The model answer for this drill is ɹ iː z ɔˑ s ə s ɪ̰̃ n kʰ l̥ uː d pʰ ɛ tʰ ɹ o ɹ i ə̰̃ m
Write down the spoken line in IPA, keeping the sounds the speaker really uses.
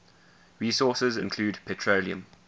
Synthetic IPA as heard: ɹ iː s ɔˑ s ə z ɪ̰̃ n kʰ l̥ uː d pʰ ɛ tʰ ɹ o l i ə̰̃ m